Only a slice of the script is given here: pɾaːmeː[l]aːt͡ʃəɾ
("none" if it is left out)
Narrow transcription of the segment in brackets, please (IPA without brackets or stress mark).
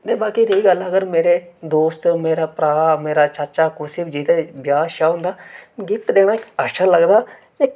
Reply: ɾ